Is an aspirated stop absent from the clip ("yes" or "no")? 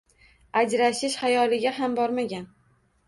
yes